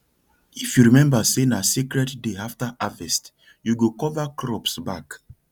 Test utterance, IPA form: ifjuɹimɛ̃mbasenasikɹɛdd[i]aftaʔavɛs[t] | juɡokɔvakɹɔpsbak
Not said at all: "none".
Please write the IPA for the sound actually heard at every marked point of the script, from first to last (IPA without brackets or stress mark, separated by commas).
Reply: e, t